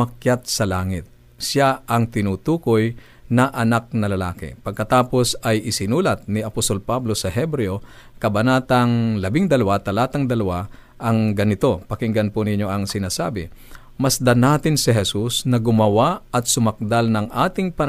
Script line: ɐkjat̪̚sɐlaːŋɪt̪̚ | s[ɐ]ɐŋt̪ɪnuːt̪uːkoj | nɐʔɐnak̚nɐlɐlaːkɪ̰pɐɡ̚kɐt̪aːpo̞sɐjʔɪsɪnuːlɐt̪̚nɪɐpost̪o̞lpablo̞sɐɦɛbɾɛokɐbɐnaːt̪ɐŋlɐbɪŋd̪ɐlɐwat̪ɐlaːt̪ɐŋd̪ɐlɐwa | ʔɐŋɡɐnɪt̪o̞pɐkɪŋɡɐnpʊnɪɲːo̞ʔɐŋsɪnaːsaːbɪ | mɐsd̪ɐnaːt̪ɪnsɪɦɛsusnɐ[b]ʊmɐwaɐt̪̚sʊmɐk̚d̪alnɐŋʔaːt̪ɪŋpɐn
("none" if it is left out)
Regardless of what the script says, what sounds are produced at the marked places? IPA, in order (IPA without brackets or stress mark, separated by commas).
a, ɡ